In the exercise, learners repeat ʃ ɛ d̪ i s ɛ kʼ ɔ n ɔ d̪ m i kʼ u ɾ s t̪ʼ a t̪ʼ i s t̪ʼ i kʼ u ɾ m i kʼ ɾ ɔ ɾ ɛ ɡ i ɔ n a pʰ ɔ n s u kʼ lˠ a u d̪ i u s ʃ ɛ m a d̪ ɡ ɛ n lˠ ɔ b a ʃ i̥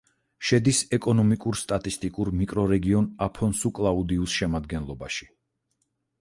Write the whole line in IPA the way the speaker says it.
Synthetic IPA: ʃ ɛ d̪ i s ɛ kʼ ɔ n ɔ m i kʼ u ɾ s t̪ʼ a t̪ʼ i s t̪ʼ i kʼ u ɾ m i kʼ ɾ ɔ ɾ ɛ ɡ i ɔ n a pʰ ɔ n s u kʼ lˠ a u d̪ i u s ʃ ɛ m a d̪ ɡ ɛ n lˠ ɔ b a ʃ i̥